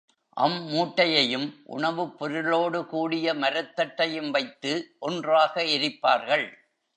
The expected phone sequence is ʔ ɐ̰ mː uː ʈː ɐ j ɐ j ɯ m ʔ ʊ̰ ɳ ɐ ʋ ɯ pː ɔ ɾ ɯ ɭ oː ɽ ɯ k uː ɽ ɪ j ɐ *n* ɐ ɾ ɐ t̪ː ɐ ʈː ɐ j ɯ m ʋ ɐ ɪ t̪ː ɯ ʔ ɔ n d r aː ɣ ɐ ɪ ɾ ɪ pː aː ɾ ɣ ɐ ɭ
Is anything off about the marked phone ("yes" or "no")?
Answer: yes